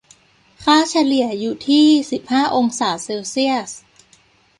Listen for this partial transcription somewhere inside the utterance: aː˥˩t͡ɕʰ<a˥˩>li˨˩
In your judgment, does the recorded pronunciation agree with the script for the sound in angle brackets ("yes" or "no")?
no